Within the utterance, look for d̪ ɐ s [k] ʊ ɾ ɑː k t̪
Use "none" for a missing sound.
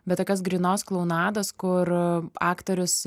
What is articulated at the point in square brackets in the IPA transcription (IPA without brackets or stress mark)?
k